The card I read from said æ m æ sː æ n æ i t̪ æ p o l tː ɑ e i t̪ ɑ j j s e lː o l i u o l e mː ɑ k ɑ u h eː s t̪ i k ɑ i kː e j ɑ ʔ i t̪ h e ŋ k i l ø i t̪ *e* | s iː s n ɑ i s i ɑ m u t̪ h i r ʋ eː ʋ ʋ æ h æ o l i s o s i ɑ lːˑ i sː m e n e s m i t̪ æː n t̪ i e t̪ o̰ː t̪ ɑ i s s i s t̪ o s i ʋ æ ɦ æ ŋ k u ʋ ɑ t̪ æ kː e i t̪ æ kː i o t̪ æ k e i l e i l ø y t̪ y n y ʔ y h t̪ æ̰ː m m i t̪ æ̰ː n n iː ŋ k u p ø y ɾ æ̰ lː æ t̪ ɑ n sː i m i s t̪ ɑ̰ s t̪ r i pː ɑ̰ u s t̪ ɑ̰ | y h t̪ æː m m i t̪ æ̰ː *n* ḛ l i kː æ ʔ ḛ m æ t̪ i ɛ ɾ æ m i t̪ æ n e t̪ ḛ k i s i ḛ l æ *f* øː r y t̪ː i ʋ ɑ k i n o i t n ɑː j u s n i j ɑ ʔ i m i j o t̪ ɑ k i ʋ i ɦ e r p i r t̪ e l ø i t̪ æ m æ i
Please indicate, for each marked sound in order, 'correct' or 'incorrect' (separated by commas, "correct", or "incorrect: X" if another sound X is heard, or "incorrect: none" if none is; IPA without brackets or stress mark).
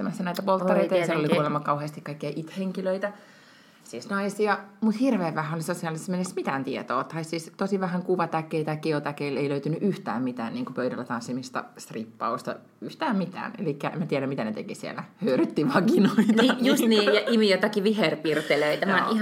incorrect: æ, correct, incorrect: h